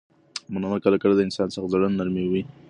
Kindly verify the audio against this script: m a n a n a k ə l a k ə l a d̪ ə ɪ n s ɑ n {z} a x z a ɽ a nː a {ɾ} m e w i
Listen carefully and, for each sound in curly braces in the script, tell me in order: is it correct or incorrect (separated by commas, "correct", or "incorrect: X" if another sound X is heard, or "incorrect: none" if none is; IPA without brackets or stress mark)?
incorrect: s, correct